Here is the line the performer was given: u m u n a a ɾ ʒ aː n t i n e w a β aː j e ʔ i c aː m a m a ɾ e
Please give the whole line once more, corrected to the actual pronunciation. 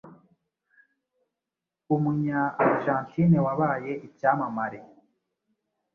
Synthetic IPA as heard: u m u ɲ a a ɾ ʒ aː n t i n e w a β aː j e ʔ i c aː m a m a ɾ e